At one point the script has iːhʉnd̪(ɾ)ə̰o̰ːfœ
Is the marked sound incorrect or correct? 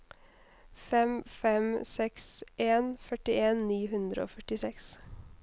correct